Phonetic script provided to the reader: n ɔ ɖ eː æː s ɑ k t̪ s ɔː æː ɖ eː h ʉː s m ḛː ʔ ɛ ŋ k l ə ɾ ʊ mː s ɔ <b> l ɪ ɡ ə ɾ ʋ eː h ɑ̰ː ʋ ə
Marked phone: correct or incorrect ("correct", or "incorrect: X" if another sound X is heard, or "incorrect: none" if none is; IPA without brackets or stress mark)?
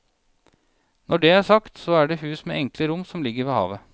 incorrect: m